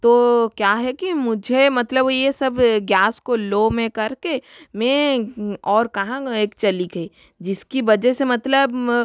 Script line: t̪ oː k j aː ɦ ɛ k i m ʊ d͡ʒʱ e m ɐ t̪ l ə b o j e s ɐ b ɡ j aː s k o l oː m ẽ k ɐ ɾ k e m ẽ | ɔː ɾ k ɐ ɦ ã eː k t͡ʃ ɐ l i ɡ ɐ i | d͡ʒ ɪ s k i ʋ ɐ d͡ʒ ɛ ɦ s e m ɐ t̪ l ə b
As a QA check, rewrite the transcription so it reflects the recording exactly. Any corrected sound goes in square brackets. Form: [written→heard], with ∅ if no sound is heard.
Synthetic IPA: t̪ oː k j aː ɦ ɛ k i m ʊ d͡ʒʱ e m ɐ t̪ l ə b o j e s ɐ b ɡ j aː s k o l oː m ẽ k ɐ ɾ k e m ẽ | ɔː ɾ k ɐ ɦ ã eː k t͡ʃ ɐ l i ɡ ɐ i | d͡ʒ ɪ s k i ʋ ɐ d͡ʒ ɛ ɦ s e m ɐ t̪ l ə b